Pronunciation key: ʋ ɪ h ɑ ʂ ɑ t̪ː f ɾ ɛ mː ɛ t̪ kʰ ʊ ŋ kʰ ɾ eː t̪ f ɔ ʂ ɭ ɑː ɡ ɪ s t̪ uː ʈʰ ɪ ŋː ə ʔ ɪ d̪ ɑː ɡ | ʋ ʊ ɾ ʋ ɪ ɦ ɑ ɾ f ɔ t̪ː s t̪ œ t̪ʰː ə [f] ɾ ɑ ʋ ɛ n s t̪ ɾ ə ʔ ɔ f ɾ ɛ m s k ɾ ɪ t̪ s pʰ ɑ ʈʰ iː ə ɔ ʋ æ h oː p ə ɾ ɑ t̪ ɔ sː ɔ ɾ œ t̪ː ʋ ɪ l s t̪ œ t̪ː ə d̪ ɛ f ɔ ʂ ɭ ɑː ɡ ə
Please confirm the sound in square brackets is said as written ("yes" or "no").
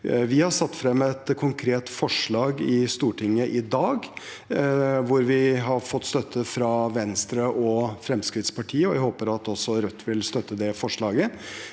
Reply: yes